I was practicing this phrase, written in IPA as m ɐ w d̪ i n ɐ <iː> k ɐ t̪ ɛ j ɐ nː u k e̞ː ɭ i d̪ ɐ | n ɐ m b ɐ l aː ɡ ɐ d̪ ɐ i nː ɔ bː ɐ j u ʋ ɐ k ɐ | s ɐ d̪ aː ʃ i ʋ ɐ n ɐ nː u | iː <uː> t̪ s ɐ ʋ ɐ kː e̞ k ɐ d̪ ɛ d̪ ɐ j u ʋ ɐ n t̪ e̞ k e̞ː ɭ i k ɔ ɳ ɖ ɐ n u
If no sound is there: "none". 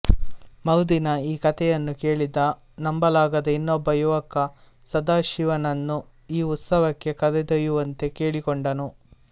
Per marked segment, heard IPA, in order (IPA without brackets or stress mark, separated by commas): iː, u